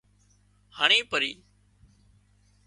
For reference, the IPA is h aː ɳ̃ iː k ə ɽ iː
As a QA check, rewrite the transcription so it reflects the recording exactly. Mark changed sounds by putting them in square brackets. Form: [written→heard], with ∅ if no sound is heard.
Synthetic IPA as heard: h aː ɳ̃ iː [k→p] ə [ɽ→ɾ] iː